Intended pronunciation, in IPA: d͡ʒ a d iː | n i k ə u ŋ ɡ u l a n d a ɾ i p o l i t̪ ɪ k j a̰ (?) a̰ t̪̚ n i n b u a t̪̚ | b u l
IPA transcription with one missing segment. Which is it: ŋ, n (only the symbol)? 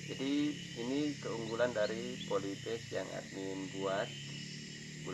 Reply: ŋ